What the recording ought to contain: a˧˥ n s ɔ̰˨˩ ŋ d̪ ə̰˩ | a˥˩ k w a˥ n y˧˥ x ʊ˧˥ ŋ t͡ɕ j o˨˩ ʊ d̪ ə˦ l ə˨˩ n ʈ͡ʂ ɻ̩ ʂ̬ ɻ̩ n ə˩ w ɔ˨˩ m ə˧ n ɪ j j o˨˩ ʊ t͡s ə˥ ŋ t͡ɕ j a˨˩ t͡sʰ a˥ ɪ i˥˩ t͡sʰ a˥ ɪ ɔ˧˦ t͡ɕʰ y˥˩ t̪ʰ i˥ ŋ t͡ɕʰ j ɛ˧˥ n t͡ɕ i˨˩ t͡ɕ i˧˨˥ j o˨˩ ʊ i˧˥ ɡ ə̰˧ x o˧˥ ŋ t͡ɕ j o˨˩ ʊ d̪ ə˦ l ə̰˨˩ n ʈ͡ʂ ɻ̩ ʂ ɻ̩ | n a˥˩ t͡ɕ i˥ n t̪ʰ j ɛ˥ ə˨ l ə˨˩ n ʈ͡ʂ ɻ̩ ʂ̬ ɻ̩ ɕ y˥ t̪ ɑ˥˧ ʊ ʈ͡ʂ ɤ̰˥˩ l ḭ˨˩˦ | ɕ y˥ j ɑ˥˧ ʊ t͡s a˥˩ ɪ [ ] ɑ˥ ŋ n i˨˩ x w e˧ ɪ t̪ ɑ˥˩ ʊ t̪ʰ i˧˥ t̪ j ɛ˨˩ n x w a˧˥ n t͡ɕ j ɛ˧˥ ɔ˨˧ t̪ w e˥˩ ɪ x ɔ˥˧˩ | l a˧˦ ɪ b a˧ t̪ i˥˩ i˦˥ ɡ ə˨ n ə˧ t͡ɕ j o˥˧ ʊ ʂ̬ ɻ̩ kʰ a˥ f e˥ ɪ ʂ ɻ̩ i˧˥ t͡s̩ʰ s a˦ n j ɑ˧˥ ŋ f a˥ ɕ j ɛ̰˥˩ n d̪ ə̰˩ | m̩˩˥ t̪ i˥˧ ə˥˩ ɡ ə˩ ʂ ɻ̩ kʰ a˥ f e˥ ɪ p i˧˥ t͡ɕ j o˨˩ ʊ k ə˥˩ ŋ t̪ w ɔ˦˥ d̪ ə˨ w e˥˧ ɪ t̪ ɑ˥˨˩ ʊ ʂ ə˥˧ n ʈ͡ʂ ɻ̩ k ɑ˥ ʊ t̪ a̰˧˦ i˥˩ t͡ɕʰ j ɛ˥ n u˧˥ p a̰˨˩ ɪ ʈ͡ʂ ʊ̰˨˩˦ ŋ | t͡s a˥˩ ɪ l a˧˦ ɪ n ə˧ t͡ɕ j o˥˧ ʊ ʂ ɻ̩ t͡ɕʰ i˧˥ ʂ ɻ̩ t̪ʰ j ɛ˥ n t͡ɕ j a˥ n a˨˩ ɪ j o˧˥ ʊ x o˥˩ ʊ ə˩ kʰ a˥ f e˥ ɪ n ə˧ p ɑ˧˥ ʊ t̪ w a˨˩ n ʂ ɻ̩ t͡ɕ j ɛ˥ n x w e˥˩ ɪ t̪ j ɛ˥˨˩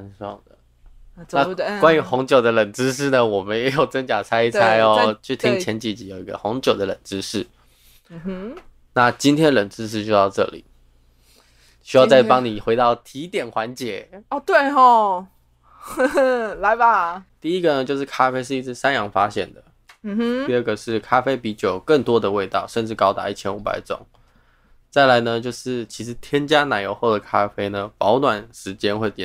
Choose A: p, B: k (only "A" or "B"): A